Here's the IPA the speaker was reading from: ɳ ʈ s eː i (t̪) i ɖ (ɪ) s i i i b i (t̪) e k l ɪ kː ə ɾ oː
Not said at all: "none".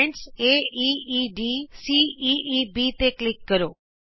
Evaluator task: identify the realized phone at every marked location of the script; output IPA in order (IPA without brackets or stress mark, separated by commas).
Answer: none, i, t̪